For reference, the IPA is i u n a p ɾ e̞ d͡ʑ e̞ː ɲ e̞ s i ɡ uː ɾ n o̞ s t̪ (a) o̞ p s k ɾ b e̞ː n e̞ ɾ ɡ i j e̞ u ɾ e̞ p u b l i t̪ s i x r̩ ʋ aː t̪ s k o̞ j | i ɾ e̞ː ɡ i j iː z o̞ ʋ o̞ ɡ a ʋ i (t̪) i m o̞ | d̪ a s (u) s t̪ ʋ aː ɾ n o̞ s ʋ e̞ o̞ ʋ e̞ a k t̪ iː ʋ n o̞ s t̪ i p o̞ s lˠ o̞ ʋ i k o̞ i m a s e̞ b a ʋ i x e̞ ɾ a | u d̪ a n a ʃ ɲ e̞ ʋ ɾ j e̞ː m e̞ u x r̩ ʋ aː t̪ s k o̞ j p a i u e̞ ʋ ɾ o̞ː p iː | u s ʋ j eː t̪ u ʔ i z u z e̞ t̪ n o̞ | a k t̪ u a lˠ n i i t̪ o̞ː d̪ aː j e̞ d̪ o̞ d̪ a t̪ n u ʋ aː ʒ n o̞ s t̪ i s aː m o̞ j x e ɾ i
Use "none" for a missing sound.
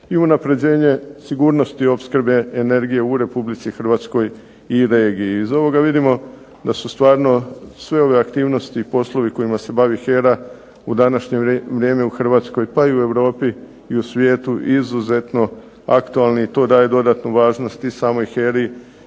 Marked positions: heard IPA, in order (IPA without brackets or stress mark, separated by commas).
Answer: i, d̪, u